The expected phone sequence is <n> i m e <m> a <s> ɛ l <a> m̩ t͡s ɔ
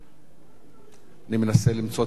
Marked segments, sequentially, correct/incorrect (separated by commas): correct, incorrect, correct, incorrect